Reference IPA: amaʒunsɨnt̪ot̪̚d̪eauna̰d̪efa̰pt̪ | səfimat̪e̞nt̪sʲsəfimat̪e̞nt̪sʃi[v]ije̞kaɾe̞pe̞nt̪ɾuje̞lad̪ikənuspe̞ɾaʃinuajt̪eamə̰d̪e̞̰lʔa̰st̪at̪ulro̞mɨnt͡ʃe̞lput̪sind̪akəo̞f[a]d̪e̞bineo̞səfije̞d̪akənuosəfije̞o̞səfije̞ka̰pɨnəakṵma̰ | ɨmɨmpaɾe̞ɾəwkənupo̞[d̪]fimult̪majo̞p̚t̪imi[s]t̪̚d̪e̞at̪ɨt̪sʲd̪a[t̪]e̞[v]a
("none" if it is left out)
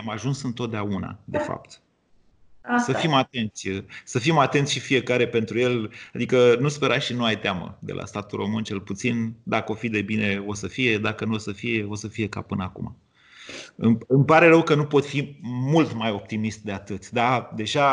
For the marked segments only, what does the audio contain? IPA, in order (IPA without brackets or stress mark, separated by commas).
f, i, t̪, s, d̪, ʒ